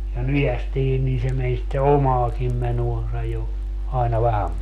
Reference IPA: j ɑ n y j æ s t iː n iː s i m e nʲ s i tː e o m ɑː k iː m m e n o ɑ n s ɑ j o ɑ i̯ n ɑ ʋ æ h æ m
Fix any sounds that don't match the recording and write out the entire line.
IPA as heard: j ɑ n y j æ s t iː n iː s e m e nʲ s i tː e o m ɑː k iː m m e n o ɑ n s ɑ j o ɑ i̯ n ɑ ʋ æ h æ m

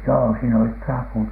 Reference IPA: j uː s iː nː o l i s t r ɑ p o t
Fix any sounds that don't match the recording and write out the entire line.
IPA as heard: j oː s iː n o l i t t r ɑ p u t

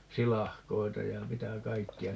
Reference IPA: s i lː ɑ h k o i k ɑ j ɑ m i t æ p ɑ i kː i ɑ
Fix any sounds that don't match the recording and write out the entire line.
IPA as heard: s i l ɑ h k o i t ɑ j ɑ m i t æ k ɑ i kː i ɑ

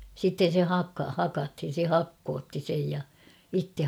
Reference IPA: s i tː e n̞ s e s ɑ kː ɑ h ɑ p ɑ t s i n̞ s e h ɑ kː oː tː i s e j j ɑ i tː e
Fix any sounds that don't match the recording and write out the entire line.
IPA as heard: s i tː e n̞ s e h ɑ kː ɑ h ɑ k ɑ t h i n̞ s e h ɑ kː oː tː i s e j j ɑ i tː e

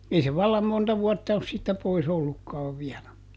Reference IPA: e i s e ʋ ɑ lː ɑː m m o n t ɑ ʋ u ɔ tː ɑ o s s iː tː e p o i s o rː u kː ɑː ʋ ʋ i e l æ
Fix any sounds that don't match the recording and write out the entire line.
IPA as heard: e i s e ʋ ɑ lː ɑ m m o n t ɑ ʋ u ɔ tː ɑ o s s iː tː æ p o i s o lː u kː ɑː ʋ ʋ i æ l æ

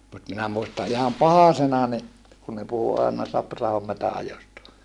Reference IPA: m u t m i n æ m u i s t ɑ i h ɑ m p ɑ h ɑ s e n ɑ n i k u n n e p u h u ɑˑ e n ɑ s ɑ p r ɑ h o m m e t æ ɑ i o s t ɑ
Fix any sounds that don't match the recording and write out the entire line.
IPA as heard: m u t m i n æ m u i s t ɑ i h ɑ m p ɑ h ɑ s e n ɑ n i k u n n e p u h u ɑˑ e n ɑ s ɑ p r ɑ h o m m e t æ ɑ j o s t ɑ

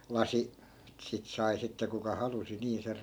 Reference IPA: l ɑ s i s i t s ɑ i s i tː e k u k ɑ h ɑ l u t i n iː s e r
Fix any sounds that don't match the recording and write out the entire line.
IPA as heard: l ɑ s i s i t s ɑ i s i tː e k u k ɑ h ɑ l u s i n iː s e r

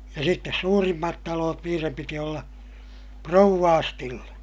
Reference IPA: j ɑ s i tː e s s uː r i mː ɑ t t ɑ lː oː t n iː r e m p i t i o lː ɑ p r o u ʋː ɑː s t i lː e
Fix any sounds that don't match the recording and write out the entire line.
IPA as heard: j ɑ s i tː e s s uː r i mː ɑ t t ɑ l oː t n iː r e m p i t i o lː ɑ p r o u ʋː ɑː s t i lː e

